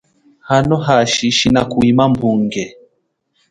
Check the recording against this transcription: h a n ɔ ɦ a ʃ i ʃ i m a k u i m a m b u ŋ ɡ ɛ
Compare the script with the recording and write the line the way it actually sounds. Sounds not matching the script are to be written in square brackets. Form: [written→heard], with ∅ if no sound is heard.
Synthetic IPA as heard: h a n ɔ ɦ a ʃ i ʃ i [m→n] a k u i m a m b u ŋ ɡ ɛ